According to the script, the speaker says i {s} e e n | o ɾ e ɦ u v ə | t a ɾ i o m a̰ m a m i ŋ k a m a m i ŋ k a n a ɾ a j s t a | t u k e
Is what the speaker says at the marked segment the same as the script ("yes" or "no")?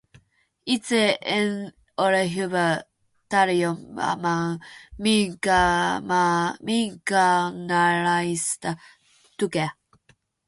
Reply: no